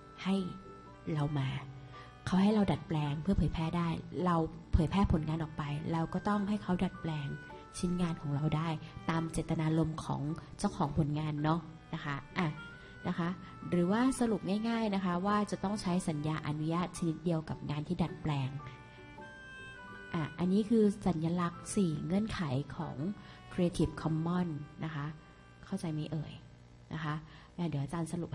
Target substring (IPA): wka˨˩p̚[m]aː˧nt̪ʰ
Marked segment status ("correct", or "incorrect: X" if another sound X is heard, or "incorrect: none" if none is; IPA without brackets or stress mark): incorrect: ŋ